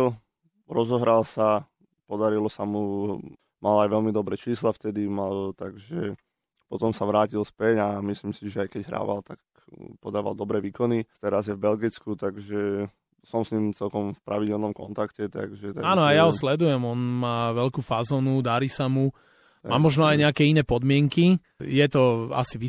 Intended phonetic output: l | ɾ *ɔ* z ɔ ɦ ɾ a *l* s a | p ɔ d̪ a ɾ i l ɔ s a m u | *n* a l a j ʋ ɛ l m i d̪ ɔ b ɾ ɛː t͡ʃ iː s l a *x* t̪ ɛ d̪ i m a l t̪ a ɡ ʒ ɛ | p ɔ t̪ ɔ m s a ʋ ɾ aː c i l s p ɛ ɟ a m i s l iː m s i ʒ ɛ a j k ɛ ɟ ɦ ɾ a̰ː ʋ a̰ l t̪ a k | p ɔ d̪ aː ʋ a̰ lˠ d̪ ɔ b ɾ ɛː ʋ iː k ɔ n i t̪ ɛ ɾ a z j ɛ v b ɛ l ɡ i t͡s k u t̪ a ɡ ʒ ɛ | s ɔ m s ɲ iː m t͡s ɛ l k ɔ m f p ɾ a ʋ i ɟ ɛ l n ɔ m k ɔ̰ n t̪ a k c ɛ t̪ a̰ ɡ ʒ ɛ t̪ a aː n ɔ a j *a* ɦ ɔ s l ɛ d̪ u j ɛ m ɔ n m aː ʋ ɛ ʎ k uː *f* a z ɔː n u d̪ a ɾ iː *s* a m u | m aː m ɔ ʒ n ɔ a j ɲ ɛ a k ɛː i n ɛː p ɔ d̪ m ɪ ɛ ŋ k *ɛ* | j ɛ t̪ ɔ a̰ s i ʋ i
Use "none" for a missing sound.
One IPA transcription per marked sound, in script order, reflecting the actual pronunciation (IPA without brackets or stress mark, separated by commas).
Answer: ɔ, l, m, f, a, f, s, i